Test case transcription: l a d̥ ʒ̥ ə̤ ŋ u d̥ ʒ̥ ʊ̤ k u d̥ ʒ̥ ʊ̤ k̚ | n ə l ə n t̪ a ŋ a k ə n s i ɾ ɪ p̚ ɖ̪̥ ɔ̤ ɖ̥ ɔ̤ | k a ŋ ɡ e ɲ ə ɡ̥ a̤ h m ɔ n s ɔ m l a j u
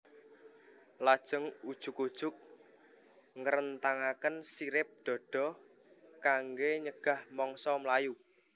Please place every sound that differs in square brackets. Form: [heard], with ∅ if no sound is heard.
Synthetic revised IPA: l a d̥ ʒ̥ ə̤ ŋ u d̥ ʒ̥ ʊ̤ k u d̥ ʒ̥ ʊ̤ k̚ | [ŋ] ə [ɾ] ə n t̪ a ŋ a k ə n s i ɾ ɪ p̚ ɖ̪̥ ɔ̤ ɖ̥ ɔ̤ | k a ŋ ɡ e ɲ ə ɡ̥ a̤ h m ɔ [ŋ] s ɔ m l a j u